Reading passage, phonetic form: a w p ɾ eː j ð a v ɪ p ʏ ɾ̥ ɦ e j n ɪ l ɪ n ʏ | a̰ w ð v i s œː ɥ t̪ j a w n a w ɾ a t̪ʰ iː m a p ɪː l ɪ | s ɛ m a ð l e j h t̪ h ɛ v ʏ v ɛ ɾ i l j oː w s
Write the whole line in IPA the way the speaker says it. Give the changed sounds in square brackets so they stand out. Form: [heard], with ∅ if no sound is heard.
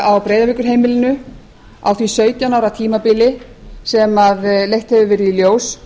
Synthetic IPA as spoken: a w p ɾ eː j ð a v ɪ [k] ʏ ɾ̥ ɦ e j [m] ɪ l ɪ n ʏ | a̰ w [θ] v i s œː ɥ t̪ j a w n a w ɾ a t̪ʰ iː m a p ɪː l ɪ | s ɛ m a ð l e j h t̪ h ɛ v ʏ v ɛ ɾ i l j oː w s